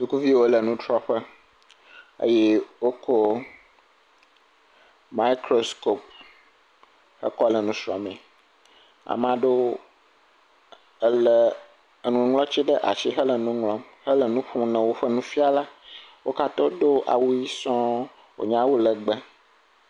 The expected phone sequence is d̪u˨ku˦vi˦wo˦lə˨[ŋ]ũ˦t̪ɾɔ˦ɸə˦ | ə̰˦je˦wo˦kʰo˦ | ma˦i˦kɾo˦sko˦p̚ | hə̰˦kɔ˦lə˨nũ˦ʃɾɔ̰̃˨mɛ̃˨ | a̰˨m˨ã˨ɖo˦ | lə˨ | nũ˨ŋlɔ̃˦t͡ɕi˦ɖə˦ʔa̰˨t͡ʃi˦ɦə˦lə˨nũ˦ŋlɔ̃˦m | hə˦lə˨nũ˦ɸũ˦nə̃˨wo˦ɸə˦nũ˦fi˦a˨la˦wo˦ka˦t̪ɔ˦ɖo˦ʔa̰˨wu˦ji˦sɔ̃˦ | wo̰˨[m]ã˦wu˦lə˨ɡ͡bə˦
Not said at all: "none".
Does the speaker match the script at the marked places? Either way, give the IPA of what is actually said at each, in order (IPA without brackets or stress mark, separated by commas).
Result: n, ɲ